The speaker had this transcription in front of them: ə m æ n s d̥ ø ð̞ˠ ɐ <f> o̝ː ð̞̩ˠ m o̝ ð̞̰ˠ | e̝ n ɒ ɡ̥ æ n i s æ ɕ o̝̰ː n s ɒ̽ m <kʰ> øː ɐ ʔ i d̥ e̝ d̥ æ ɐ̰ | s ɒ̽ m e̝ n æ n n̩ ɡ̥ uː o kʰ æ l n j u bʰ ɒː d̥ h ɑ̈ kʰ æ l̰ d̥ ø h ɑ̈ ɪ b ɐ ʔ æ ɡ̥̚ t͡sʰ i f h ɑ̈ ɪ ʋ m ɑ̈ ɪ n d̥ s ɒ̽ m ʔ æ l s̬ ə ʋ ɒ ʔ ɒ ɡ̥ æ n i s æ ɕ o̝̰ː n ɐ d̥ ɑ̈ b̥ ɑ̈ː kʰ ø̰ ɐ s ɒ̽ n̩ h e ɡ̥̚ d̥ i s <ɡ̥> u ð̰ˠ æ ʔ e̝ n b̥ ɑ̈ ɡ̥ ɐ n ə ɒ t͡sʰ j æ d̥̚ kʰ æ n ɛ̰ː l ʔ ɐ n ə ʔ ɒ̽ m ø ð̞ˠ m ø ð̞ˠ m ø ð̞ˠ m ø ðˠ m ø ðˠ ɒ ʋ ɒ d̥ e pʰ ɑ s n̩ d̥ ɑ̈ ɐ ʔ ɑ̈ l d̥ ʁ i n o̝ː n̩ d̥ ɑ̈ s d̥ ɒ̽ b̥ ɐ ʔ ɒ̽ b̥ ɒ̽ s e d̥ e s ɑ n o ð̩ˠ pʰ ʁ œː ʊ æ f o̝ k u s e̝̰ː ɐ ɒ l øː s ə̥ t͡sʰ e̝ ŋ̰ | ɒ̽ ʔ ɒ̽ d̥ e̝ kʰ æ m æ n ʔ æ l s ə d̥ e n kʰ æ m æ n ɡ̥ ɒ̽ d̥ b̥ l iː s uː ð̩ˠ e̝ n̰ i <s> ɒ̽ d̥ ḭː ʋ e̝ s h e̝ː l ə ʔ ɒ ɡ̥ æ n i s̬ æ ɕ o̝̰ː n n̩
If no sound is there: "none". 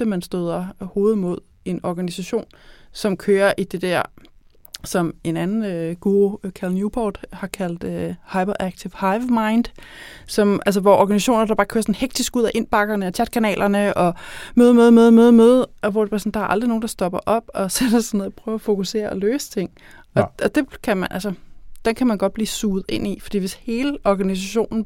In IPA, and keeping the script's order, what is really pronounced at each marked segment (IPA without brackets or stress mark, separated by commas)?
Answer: h, kʰ, ɡ̥, f